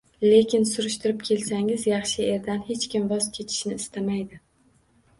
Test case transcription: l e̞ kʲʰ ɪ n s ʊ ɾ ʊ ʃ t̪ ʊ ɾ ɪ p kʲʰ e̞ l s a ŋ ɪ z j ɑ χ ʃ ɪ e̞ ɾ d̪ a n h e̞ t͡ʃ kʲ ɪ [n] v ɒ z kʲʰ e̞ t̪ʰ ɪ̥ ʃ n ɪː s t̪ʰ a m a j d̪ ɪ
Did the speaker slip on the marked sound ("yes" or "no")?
yes